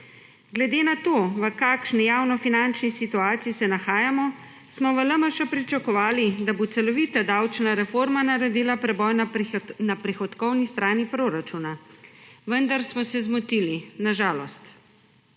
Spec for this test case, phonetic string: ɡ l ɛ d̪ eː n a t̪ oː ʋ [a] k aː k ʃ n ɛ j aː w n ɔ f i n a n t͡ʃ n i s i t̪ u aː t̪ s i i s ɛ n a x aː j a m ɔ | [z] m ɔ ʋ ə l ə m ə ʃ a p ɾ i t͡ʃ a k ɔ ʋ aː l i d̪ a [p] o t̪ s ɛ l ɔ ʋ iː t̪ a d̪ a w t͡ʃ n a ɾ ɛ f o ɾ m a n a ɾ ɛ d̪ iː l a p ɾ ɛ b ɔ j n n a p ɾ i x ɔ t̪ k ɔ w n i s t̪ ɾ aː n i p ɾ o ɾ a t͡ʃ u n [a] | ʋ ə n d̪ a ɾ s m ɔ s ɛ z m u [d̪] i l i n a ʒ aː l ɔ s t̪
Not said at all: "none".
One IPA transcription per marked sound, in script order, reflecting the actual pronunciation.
ə, s, b, a, t̪

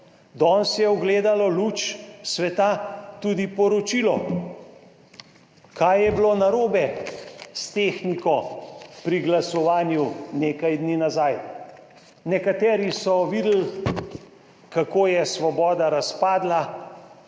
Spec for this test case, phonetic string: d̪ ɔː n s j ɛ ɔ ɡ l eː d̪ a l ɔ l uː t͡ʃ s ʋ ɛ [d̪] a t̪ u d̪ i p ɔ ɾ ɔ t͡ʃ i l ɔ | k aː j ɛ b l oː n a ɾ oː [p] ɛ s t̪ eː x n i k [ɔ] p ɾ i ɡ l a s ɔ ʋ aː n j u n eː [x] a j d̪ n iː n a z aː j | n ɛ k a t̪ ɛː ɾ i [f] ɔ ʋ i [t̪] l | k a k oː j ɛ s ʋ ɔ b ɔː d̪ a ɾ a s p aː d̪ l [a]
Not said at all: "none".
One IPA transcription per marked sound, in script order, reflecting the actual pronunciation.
t̪, b, ɔ, k, s, d̪, a

